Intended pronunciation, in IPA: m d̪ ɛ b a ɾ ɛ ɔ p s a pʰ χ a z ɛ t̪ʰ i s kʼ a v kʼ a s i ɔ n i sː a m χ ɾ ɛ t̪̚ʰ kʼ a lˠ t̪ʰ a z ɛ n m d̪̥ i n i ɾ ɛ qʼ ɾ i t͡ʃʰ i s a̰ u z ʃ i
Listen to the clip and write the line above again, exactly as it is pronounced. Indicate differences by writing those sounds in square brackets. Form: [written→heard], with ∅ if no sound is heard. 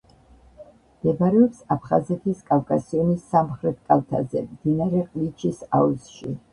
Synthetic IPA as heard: m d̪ ɛ b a ɾ ɛ ɔ p s a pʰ χ a z ɛ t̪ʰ i s kʼ a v kʼ a s i ɔ n i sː a m χ ɾ ɛ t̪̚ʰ kʼ a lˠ t̪ʰ a z ɛ [n→∅] m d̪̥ i n [i→a] ɾ ɛ qʼ [ɾ→l] i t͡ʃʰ i s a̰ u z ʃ i